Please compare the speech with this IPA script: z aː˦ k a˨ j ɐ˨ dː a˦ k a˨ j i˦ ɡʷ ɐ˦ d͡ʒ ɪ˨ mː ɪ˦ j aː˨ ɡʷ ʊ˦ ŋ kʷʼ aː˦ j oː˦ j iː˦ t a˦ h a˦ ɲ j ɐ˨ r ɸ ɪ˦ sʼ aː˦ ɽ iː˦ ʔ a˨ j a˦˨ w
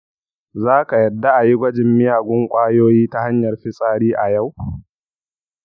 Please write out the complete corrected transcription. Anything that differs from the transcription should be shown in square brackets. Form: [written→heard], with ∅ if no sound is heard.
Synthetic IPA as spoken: z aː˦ k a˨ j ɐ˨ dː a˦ [k→ʔ] a˨ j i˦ ɡʷ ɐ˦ d͡ʒ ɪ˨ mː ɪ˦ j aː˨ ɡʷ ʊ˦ ŋ kʷʼ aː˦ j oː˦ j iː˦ t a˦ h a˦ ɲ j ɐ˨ r ɸ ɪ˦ sʼ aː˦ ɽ iː˦ ʔ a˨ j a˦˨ w